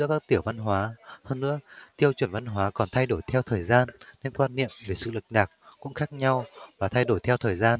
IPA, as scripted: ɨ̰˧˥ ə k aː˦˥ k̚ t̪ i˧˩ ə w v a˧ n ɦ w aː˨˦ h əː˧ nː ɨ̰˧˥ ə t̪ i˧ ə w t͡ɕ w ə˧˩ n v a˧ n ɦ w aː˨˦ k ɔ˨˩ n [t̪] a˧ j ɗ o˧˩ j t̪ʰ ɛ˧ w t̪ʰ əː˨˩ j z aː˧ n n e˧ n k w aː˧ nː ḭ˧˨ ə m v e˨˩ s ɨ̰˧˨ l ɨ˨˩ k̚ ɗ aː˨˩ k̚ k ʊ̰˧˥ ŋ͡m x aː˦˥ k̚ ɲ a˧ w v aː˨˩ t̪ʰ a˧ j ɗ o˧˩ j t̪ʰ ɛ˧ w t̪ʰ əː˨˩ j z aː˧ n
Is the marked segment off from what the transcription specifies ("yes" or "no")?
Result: yes